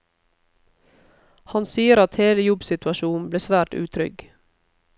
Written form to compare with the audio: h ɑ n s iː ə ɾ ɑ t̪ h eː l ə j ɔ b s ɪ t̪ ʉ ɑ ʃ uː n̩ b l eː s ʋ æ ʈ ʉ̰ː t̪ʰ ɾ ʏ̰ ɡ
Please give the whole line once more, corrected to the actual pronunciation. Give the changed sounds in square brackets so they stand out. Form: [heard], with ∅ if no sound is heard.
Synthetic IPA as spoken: h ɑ n s iː ə ɾ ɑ t̪ h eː l ə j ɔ b s ɪ t̪ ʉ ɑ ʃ uː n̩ b l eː s ʋ [æː] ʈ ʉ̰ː t̪ʰ ɾ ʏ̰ ɡ